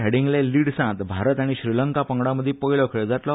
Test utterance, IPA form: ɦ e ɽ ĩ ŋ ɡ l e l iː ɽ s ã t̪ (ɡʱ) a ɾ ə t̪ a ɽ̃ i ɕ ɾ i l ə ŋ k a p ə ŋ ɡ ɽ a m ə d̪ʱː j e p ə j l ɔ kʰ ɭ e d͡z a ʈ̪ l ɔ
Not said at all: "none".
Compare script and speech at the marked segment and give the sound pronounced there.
bʱ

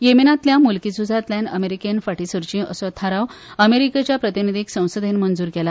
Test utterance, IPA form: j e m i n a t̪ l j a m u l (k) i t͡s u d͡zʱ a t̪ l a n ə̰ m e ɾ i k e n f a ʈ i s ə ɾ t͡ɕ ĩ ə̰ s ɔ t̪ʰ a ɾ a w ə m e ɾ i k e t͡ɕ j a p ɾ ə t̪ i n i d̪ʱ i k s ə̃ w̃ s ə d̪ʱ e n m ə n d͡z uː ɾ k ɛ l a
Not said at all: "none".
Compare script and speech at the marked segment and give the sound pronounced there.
k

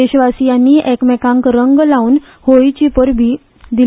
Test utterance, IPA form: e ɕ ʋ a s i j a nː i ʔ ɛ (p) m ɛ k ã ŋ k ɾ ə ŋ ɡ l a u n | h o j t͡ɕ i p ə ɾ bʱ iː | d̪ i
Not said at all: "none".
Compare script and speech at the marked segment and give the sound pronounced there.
k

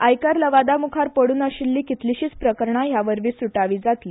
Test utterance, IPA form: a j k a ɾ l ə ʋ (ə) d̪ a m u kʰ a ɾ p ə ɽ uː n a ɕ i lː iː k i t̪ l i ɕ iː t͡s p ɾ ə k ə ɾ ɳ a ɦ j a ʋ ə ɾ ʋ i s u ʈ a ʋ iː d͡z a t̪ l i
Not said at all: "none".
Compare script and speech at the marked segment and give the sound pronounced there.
a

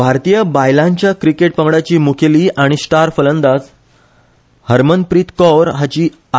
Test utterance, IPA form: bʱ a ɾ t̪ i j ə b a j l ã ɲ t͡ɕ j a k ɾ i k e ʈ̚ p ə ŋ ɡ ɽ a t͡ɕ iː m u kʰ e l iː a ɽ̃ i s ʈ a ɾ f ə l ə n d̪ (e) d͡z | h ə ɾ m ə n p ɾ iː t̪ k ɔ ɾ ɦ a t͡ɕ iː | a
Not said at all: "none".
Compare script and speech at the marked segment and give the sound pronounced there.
a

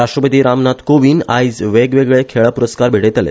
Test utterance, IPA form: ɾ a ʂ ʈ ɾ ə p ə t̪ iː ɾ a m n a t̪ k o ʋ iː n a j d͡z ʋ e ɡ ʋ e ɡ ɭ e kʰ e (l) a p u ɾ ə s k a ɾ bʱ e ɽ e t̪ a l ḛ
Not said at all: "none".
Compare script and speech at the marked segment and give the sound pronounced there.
ɭ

